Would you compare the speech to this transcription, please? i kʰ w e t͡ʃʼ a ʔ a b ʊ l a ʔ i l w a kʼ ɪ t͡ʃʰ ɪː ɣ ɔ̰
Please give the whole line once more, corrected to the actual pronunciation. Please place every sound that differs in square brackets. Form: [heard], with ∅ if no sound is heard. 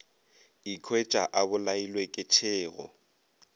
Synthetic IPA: i kʰ w e t͡ʃʼ a ʔ a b ʊ l a [∅] i l w [e] kʼ ɪ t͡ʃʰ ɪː ɣ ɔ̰